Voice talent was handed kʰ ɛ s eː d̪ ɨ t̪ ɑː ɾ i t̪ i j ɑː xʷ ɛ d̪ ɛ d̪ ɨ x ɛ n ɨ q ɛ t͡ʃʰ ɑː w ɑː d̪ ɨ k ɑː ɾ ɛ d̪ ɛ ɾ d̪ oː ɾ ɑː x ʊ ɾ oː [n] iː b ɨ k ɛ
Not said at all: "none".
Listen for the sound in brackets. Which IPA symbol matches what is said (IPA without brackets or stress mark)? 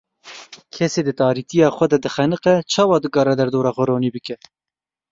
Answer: n